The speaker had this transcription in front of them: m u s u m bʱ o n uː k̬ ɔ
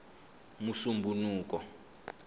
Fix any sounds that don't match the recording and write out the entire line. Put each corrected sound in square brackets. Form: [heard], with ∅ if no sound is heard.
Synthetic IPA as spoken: m u s u m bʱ [u] n uː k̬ ɔ